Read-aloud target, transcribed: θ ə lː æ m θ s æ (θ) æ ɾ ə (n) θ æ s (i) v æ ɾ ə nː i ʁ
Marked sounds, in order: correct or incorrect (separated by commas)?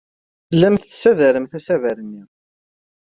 incorrect, incorrect, incorrect